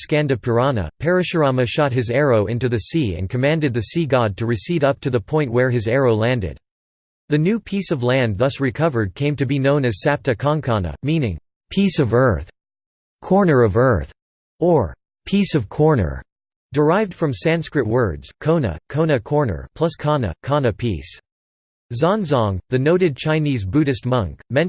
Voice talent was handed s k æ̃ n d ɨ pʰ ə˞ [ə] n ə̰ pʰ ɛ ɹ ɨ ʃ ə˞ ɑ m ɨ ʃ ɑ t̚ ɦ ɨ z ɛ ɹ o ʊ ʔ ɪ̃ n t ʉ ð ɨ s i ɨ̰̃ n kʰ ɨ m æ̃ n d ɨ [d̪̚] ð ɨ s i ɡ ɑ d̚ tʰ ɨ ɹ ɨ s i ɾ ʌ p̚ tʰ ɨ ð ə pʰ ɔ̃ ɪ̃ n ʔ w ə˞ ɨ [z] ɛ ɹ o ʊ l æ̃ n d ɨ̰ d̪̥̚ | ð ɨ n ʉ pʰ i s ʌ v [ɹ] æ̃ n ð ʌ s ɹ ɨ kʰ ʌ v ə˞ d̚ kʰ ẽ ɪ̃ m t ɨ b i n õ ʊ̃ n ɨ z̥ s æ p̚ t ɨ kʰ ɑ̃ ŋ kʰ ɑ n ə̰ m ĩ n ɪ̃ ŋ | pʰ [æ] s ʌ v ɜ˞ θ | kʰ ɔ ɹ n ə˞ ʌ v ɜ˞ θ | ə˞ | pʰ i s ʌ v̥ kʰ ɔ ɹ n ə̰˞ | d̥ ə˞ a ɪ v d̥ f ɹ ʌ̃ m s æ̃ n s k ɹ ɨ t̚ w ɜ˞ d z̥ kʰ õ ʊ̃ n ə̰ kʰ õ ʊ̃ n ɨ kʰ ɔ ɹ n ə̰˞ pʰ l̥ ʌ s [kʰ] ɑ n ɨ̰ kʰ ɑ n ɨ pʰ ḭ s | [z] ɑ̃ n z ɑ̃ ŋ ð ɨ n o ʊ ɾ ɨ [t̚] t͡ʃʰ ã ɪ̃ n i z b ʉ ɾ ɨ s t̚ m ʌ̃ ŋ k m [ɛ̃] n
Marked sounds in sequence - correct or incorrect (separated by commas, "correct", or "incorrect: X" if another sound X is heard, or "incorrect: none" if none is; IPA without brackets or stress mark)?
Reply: incorrect: ɑ, correct, correct, incorrect: l, incorrect: i, correct, correct, incorrect: d̚, correct